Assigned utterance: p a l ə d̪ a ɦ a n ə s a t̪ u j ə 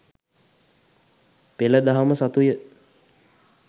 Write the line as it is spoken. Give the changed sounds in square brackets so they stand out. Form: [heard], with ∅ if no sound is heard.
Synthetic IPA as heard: p [e] l ə d̪ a ɦ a [m] ə s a t̪ u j ə